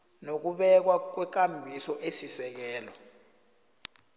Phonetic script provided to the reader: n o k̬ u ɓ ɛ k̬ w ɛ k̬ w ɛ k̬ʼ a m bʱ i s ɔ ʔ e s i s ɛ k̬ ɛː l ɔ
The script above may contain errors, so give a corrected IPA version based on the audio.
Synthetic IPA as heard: n o k̬ u ɓ ɛ k̬ w a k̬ w ɛ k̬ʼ a m bʱ i s ɔ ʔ e s i s ɛ k̬ ɛː l ɔ

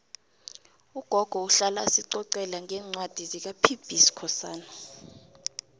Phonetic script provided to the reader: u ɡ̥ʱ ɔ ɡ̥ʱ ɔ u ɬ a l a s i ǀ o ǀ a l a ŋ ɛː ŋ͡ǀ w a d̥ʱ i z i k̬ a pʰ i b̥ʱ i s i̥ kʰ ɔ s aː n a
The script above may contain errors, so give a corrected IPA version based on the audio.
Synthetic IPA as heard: u ɡ̥ʱ ɔ ɡ̥ʱ ɔ u ɬ a l a s i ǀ ɔ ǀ ɛ l a ŋ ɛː ŋ͡ǀ w a d̥ʱ i z i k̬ a pʰ i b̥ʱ i s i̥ kʰ ɔ s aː n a

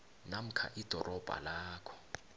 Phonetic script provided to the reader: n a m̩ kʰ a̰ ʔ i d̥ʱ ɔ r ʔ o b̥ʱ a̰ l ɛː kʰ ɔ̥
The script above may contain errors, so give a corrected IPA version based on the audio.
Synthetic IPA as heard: n a m̩ kʰ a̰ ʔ i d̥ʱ ɔ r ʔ ɔ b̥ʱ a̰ l aː kʰ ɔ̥

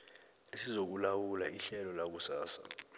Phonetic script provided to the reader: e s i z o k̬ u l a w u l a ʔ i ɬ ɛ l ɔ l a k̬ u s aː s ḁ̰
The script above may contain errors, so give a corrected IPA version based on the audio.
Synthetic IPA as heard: e s i z o k̬ u l a w u l a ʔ i ɬ ɛ l ɔ l a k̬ u s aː s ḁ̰

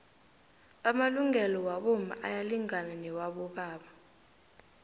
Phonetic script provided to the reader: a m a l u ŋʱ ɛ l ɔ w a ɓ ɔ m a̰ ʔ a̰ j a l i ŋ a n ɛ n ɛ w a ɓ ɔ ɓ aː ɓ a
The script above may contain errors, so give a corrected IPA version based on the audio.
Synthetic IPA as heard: a m a l u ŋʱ ɛ l ɔ w a ɓ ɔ m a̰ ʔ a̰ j a l i ŋ a n a n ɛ w a ɓ ɔ ɓ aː ɓ a

